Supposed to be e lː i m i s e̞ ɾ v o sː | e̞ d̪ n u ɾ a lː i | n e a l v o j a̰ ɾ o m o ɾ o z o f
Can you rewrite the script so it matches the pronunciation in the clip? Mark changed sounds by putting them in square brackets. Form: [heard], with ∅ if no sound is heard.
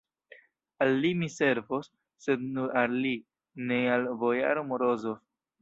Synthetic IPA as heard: [a] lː i m i s e̞ ɾ v o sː | e̞ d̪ n u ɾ a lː i | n e a l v o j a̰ ɾ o m o ɾ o z o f